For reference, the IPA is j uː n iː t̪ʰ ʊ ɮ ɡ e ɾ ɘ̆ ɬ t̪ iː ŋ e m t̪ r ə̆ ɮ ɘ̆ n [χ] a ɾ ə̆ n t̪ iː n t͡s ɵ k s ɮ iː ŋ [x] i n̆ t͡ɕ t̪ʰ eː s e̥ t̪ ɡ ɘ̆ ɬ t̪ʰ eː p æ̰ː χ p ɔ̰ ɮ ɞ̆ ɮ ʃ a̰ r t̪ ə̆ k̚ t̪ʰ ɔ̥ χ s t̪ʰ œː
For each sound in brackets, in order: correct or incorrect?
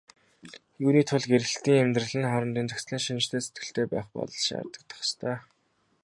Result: correct, incorrect

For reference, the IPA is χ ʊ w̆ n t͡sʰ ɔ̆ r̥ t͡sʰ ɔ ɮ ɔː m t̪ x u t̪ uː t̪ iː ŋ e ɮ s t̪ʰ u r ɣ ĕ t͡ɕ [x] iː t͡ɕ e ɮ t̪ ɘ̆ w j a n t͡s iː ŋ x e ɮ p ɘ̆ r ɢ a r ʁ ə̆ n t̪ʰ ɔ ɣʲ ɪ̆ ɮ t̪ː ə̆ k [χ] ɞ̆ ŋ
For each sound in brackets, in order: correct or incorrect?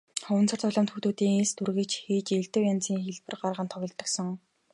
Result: correct, incorrect

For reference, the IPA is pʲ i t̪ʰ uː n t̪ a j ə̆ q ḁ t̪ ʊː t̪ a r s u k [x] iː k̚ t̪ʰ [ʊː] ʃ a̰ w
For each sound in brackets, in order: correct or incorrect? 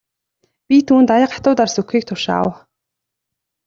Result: correct, incorrect

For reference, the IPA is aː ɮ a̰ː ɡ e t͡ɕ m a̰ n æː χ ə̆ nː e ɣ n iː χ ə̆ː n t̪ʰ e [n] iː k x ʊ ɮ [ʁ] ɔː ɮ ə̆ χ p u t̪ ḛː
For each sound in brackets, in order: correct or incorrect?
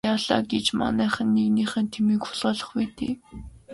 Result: incorrect, correct

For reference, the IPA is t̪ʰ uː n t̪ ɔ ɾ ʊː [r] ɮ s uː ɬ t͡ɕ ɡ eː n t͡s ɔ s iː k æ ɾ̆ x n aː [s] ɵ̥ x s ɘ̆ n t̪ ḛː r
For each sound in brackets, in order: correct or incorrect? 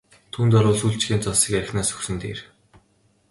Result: incorrect, correct

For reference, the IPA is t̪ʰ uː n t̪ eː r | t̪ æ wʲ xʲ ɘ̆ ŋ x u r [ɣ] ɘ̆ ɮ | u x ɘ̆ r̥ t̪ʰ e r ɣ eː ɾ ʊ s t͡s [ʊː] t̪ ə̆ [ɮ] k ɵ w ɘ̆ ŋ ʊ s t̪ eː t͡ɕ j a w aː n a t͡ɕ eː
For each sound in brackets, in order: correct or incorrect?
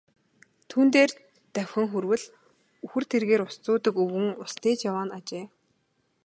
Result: incorrect, correct, incorrect

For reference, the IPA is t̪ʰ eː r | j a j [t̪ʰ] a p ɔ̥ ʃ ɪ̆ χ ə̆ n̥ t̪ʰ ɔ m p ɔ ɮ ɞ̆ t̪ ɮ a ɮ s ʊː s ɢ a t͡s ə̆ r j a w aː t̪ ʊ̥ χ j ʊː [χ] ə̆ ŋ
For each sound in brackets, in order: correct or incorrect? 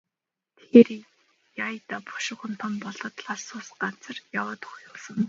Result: incorrect, incorrect

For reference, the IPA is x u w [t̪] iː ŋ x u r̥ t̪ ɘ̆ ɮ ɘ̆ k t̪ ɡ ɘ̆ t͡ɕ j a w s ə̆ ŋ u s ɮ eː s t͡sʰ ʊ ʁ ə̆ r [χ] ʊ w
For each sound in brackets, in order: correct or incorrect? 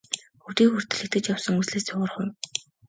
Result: correct, correct

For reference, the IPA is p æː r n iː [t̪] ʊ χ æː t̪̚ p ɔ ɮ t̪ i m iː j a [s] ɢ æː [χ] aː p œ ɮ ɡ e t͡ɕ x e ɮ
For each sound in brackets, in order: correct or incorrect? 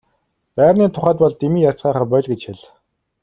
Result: incorrect, incorrect, correct

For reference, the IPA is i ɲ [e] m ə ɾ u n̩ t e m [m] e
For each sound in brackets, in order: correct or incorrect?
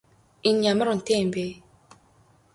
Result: incorrect, incorrect

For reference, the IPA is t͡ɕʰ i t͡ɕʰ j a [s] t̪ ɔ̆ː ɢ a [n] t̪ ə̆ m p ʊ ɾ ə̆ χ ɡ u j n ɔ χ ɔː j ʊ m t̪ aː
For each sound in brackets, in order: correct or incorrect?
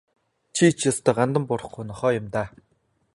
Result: correct, correct

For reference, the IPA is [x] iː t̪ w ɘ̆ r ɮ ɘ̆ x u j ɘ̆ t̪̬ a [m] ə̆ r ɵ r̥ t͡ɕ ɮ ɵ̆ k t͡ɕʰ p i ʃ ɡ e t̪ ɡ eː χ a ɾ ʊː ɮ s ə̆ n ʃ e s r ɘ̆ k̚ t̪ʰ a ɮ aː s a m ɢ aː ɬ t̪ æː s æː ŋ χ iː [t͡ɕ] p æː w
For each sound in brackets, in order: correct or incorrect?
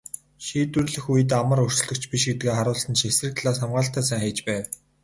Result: incorrect, correct, correct

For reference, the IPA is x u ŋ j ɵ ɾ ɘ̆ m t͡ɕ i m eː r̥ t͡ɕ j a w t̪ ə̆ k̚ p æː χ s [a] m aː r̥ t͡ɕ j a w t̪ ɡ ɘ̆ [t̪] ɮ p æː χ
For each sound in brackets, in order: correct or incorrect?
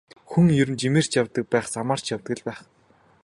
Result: correct, incorrect

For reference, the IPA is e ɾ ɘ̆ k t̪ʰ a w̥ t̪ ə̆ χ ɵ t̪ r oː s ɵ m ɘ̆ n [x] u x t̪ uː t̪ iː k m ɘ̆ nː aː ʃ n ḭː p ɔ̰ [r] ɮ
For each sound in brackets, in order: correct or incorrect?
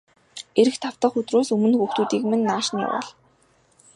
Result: correct, incorrect

